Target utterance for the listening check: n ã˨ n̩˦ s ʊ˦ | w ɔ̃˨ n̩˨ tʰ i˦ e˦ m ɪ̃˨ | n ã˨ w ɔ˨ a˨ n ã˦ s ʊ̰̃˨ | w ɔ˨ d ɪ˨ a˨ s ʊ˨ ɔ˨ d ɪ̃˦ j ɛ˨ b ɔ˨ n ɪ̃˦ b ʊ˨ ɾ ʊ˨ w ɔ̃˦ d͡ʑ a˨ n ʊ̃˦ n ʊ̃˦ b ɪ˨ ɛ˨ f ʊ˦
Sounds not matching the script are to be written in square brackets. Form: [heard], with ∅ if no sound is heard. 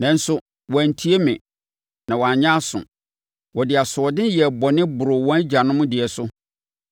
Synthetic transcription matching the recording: n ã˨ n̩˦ s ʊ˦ | w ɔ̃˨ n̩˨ tʰ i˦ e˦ m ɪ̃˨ | n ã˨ w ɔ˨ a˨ [ɲ] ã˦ s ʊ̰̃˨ | w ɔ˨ d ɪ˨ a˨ s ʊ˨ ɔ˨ d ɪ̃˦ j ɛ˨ b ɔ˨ n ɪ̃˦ b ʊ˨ ɾ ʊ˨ w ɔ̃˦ d͡ʑ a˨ n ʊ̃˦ [m] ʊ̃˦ [d] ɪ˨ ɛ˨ [s] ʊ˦